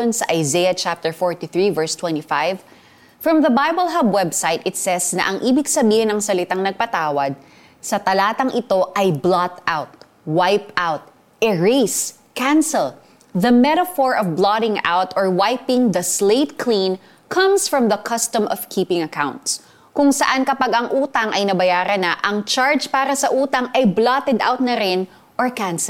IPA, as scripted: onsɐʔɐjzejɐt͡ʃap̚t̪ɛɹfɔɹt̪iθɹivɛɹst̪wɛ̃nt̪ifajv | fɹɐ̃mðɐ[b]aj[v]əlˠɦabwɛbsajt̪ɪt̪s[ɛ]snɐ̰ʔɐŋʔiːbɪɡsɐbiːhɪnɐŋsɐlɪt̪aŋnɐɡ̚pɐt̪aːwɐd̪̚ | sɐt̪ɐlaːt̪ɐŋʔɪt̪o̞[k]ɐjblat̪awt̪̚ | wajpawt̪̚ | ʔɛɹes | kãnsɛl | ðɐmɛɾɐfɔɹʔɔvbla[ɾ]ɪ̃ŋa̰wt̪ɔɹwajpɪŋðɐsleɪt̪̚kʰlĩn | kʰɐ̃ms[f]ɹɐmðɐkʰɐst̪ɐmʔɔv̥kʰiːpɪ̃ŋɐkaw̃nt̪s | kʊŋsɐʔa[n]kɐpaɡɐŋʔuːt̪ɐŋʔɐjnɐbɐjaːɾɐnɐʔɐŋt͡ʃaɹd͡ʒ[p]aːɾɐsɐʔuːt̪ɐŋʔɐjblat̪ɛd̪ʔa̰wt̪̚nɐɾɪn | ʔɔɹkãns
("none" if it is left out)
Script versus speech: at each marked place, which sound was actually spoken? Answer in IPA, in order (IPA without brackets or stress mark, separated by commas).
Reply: b, b, ɛ, ʔ, ɾ, f, n, p